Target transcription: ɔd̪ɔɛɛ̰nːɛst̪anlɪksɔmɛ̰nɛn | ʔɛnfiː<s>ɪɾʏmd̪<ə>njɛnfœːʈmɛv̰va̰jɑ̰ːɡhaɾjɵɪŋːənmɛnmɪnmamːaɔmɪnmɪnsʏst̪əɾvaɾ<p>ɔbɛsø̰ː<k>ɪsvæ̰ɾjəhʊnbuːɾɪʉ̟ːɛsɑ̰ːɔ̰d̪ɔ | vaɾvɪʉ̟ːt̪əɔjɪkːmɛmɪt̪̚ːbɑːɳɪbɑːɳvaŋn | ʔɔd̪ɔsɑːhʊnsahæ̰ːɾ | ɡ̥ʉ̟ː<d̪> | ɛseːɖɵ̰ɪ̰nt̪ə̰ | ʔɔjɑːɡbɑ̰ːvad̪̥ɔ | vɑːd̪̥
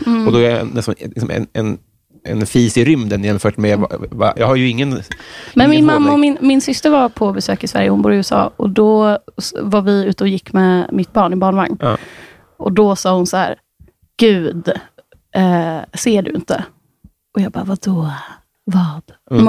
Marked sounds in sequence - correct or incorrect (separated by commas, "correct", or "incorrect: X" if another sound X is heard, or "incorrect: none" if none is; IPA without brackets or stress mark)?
correct, correct, incorrect: pʰ, correct, correct